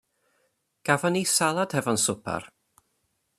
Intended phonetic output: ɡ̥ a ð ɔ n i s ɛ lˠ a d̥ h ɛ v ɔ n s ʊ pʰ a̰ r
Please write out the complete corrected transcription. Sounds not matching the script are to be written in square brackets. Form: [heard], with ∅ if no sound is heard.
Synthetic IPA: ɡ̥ a [v] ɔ n i s [a] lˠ a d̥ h ɛ v ɔ n s ʊ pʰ a̰ r